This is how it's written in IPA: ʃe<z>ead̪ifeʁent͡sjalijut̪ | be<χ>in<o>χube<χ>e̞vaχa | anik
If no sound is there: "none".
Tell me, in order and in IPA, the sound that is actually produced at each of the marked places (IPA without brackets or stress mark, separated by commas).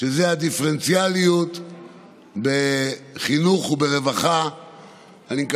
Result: z, χ, u, ʁ